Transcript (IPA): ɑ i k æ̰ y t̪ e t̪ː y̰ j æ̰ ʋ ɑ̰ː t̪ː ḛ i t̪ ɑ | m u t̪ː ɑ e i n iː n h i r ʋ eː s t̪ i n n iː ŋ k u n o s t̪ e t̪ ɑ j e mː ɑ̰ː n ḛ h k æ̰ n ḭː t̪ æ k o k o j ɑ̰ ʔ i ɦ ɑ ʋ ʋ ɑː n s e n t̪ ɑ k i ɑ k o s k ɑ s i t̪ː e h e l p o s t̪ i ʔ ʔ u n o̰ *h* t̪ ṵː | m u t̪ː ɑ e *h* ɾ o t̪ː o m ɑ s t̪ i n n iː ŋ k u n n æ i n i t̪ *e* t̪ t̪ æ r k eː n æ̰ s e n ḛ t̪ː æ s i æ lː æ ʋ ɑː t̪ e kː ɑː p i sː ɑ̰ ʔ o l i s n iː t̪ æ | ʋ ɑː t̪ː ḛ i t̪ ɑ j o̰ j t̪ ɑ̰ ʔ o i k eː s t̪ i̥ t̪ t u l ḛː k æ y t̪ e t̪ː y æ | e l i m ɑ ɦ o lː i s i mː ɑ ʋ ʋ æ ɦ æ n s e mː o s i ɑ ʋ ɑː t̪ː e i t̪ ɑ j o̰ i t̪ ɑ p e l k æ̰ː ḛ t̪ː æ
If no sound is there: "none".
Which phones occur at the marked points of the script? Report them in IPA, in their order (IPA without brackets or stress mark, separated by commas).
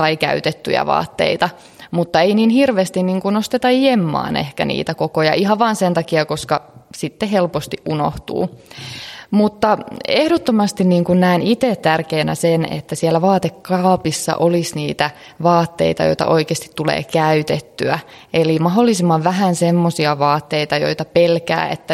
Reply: h, h, e